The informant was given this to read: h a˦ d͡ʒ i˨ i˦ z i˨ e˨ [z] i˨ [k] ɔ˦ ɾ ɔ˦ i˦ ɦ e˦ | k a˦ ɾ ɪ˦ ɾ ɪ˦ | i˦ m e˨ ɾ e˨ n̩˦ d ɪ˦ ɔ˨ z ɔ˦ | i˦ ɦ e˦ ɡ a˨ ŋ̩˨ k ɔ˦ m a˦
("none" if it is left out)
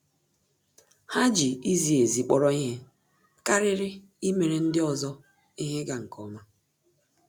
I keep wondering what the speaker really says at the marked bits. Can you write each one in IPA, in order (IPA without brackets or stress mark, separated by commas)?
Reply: z, k͡p